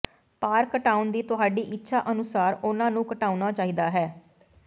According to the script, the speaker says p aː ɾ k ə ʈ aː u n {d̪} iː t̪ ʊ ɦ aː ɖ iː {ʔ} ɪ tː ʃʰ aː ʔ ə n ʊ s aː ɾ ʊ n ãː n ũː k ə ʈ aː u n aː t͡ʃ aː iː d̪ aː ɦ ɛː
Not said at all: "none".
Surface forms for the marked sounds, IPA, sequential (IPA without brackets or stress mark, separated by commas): d̪, ʔ